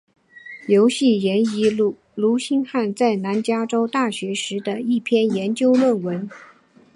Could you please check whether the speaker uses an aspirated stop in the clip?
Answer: yes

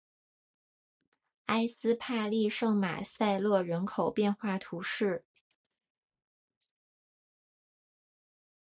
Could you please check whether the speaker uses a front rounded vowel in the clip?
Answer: no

